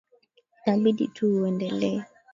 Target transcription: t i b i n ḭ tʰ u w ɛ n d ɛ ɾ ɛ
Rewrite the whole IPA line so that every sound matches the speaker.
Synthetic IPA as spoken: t a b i d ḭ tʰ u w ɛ n d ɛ l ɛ

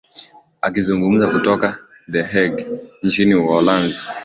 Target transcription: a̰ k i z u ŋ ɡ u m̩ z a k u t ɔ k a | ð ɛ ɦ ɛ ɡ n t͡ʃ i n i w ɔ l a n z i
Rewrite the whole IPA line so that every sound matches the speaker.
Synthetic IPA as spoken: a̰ k i z u ŋ ɡ u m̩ z a k u t ɔ k a | ð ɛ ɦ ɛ ɡ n t͡ʃ i n i w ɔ l a n z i

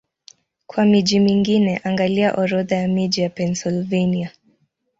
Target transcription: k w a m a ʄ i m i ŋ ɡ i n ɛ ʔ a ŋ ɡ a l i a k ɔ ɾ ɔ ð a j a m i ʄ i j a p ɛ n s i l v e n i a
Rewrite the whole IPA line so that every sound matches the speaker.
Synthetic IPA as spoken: k w a m i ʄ i m i ŋ ɡ i n ɛ ʔ a ŋ ɡ a l i a ʔ ɔ ɾ ɔ ð a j a m i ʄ i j a p ɛ n s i l v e n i a

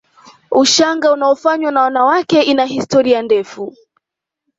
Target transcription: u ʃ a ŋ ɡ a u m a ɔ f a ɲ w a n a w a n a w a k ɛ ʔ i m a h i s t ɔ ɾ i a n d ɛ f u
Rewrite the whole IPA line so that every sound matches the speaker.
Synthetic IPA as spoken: u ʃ a ŋ ɡ a u n a ɔ f a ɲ w a n a w a n a w a k ɛ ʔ i n a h i s t ɔ ɾ i a n d ɛ f u

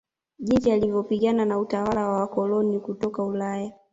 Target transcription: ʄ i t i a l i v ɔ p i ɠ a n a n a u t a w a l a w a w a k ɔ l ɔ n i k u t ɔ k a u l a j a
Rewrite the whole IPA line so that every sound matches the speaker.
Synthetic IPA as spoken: ʄ i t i a l i v ɔ p i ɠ a n a n a u t a w a l a w a w a k ɔ l ɔ n i k u t ɔ k a u l a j a

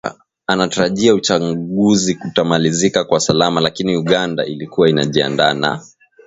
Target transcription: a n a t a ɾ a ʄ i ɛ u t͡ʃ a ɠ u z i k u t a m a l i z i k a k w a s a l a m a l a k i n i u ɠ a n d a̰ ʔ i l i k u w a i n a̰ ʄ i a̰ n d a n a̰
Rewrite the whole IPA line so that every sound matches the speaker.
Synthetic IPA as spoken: a n a t a ɾ a ʄ i a u t͡ʃ a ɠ u z i k u t a m a l i z i k a k w a s a l a m a l a k i n i u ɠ a n d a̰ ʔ i l i k u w a i n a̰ ʄ i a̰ n d a n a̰

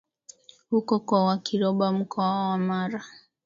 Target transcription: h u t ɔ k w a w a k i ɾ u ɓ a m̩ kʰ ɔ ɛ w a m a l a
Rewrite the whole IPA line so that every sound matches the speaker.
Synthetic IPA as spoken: h u k ɔ k w a w a k i ɾ ɔ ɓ a m̩ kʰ ɔ a w a m a ɾ a

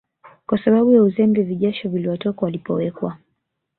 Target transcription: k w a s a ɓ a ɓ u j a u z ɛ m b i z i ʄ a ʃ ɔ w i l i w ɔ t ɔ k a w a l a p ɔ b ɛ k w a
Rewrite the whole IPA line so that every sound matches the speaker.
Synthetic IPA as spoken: k w a s a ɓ a ɓ u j a u z ɛ m b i v i ʄ a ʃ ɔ v i l i w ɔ t ɔ k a w a l i p ɔ w ɛ k w a

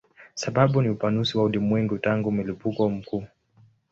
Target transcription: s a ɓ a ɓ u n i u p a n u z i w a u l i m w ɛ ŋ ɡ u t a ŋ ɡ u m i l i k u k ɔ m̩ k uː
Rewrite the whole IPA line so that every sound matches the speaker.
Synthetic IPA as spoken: s a ɓ a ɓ u n i u p a n u s i w a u l i m w ɛ ŋ ɡ u t a ŋ ɡ u m i l i p u k ɔ m̩ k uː

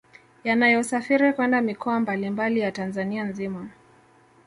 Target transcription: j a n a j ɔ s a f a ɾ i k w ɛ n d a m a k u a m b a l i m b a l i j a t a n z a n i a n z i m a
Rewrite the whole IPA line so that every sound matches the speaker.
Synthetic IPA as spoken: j a n a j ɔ s a f i ɾ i k w ɛ n d a m i k ɔ a m b a l i m b a l i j a t a n z a n i a n z i m a

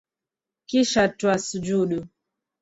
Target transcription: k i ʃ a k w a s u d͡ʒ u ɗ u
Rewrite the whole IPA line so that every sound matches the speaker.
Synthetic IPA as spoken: k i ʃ a t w a s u d͡ʒ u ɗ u

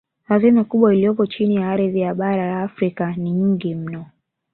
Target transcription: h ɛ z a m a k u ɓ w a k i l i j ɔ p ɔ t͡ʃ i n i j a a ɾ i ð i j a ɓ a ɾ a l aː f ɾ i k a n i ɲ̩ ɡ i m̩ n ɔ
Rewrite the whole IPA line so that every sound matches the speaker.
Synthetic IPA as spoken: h a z i m a k u ɓ w a i l i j ɔ p ɔ t͡ʃ i n i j a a ɾ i ð i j a ɓ a ɾ a l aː f ɾ i k a n i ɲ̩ ɡ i m̩ n ɔ

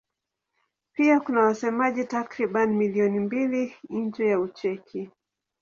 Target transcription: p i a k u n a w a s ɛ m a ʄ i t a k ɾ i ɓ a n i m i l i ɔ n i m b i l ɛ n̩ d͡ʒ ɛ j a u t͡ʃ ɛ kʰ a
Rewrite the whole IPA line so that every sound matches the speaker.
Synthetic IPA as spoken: p i a k u n a w a s ɛ m a ʄ i t a k ɾ i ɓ a n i m i l i ɔ n i m b i l i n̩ d͡ʒ ɛ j a u t͡ʃ ɛ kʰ i

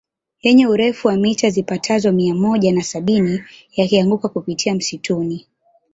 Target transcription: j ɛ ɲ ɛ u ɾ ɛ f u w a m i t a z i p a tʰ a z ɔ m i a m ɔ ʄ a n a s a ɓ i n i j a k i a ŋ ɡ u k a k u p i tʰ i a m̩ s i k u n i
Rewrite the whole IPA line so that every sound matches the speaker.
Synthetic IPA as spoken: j ɛ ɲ ɛ u ɾ ɛ f u w a m i t a z i p a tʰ a z ɔ m i a m ɔ ʄ a n a s a ɓ i n i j a k i a ŋ ɡ u k a k u p i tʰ i a m̩ s i t u n i

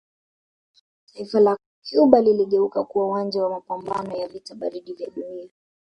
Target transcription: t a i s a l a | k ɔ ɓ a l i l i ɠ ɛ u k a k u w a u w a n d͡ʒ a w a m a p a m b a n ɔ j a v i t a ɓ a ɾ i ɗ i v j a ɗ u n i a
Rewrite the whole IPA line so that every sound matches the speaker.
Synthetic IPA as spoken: t a i f a l a | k u ɓ a l i l i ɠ ɛ u k a k u w a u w a n d͡ʒ a w a m a p a m b a n ɔ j a v i t a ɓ a ɾ i ɗ i v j a ɗ u n i a

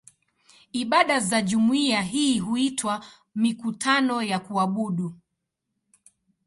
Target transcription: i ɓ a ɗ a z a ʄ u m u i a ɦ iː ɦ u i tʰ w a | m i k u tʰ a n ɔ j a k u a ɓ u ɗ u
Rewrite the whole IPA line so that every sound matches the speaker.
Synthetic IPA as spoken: i ɓ a ɗ a z a ʄ u m u i a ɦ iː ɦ u i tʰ w a | m i k u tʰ a n ɔ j a k u a ɓ u ɗ u

